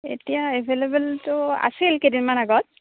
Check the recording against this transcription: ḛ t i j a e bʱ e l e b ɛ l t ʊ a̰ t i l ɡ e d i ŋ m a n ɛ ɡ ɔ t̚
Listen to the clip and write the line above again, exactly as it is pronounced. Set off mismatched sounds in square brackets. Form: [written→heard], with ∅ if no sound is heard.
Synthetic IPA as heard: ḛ t i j a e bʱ e l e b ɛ l t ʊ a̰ [t→s] i l [ɡ→k] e d i [ŋ→n] m a n [ɛ→a] ɡ ɔ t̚